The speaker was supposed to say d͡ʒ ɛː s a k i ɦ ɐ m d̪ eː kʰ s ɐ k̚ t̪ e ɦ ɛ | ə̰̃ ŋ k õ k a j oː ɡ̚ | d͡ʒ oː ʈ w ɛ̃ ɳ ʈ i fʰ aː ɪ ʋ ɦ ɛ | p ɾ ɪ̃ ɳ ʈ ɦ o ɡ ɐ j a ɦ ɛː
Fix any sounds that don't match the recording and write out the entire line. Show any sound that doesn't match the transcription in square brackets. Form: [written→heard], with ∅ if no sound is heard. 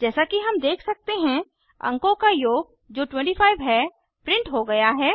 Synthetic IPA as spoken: d͡ʒ ɛː s a k i ɦ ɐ m d̪ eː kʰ s ɐ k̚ t̪ e ɦ [ɛ→ɛ̃] | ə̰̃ ŋ k õ k a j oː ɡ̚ | d͡ʒ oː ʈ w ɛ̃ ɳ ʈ i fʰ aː ɪ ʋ ɦ ɛ | p ɾ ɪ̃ ɳ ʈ ɦ o ɡ ɐ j a ɦ ɛː

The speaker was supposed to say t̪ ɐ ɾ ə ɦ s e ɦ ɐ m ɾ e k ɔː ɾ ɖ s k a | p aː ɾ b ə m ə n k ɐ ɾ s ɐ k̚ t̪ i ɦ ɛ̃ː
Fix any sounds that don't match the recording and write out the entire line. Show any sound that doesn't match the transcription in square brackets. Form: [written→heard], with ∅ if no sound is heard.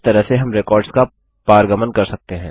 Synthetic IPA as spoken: t̪ ɐ ɾ ə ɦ s e ɦ ɐ m ɾ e k ɔː ɾ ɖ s k a | p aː ɾ [b→ɡ] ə m ə n k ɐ ɾ s ɐ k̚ t̪ [i→e] ɦ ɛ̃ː

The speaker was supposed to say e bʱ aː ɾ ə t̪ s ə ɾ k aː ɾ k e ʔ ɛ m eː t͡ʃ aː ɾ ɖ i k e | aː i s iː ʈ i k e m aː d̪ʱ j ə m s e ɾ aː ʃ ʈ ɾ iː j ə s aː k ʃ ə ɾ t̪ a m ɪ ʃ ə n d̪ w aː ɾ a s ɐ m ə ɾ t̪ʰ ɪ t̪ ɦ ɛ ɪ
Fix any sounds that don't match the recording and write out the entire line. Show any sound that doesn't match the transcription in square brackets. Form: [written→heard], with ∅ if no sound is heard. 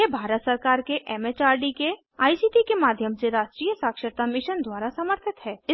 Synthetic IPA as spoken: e bʱ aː ɾ ə t̪ s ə ɾ k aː ɾ k e ʔ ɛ m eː t͡ʃ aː ɾ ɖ i k e | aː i s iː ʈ i k e m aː d̪ʱ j ə m s e ɾ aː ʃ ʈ ɾ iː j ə s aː k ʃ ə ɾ t̪ a m ɪ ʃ ə n d̪ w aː ɾ a s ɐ m ə ɾ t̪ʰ ɪ t̪ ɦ [ɛ→ɛː] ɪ

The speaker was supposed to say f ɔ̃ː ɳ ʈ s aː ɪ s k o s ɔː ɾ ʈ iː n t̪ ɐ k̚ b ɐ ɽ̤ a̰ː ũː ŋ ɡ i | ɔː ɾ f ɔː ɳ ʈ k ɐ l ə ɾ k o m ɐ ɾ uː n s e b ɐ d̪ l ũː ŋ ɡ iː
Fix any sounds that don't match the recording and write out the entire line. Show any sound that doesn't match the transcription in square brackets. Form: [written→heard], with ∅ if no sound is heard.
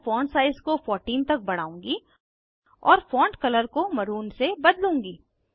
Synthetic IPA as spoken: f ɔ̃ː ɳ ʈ s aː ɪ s k o [s→f] ɔː ɾ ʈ iː n t̪ ɐ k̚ b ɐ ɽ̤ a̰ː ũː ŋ ɡ i | ɔː ɾ f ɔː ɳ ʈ k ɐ l ə ɾ k o m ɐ ɾ uː n s e b ɐ d̪ l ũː ŋ ɡ iː

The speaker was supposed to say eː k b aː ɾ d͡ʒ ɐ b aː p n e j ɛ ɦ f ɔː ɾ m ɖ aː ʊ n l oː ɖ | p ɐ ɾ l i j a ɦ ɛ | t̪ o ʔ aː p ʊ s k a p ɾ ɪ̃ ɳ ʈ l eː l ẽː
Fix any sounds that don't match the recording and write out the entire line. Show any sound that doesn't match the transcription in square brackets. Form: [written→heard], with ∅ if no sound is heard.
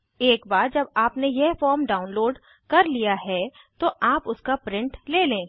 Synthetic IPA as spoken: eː k b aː ɾ d͡ʒ ɐ b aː p n e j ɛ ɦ f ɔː ɾ m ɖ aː ʊ n l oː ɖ | [p→k] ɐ ɾ l i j a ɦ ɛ | t̪ o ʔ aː p ʊ s k a p ɾ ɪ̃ ɳ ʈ l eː l ẽː

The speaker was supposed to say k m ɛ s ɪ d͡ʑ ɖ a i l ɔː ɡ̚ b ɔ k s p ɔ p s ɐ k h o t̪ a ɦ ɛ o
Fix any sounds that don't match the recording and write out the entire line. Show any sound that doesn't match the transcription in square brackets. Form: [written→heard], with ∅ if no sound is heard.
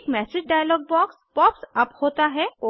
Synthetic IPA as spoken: k m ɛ s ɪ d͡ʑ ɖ a [i→j] l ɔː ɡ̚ b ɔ k s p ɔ p s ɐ [k→p] h o t̪ a ɦ ɛ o

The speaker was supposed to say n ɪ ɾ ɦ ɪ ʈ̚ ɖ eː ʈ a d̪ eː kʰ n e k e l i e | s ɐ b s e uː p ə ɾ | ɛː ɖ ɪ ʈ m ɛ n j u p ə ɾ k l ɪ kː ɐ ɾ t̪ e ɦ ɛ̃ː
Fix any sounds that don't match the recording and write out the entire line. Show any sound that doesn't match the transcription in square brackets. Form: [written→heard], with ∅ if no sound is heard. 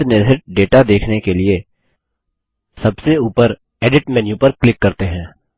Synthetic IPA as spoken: n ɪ ɾ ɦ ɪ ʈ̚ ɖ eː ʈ a d̪ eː kʰ n e k e l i e | s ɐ b s e uː p ə ɾ | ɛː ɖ ɪ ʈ m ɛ n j u p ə ɾ k l ɪ kː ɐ ɾ t̪ e ɦ ɛ̃ː

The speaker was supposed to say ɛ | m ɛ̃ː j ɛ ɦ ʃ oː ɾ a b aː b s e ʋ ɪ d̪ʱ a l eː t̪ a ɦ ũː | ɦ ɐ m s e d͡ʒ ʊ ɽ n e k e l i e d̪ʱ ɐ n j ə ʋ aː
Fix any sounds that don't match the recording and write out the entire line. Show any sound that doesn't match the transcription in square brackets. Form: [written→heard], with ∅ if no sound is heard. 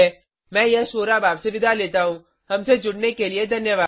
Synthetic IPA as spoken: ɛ | m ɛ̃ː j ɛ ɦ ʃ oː ɾ a b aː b s e ʋ ɪ d̪ʱ a l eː t̪ a ɦ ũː | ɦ ɐ m s e d͡ʒ ʊ ɽ n e k e l i e d̪ʱ ɐ n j ə ʋ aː

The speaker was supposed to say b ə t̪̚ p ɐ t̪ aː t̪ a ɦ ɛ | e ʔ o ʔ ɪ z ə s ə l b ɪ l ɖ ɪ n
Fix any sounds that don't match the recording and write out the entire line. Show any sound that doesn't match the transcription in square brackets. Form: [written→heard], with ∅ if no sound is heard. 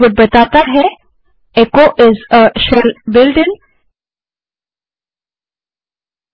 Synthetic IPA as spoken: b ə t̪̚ [p→b] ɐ t̪ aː t̪ a ɦ ɛ | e [ʔ→k] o ʔ ɪ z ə [s→ʃ] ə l b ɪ l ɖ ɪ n

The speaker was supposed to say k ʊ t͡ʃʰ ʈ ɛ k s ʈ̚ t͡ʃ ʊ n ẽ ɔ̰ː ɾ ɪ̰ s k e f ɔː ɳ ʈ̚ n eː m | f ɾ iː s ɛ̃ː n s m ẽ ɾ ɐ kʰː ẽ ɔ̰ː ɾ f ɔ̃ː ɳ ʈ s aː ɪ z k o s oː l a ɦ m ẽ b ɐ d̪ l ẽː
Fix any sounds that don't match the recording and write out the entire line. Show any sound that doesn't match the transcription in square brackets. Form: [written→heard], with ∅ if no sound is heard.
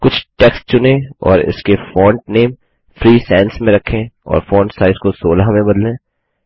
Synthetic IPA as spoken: k ʊ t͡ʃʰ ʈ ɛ k s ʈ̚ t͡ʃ ʊ n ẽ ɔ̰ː ɾ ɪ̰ s k e f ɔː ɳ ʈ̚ n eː m | f ɾ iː s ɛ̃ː n s m ẽ ɾ ɐ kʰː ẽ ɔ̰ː ɾ f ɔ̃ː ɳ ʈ s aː ɪ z k o s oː l a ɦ m ẽ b ɐ d̪ l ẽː

